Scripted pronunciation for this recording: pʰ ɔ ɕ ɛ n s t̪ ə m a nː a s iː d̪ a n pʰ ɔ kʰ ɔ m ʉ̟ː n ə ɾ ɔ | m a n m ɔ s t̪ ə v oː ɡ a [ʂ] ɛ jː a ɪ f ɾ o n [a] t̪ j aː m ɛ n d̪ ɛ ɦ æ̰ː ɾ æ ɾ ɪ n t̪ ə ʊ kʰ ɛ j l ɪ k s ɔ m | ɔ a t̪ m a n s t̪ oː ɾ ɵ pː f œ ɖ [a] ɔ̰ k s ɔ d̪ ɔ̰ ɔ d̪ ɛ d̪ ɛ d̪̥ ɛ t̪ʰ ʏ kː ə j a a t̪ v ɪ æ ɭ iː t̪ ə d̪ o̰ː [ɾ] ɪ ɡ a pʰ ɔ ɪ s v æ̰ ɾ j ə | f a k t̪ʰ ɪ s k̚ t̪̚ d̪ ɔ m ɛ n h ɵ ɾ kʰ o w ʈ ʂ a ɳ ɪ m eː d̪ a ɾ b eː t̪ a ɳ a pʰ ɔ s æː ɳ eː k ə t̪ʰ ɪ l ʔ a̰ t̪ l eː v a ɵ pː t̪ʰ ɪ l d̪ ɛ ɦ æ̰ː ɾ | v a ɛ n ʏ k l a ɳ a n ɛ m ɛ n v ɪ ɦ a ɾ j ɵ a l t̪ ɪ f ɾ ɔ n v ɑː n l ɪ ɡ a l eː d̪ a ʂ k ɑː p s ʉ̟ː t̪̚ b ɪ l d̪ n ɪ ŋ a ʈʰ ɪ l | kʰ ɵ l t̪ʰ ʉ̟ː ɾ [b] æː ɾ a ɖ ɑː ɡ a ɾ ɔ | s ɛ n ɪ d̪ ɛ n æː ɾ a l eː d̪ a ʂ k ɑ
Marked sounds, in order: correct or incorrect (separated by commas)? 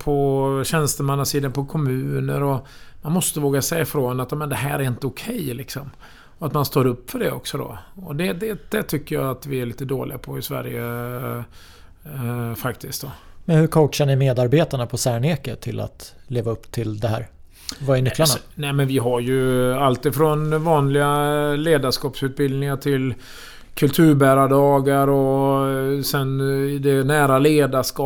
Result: incorrect, correct, incorrect, incorrect, correct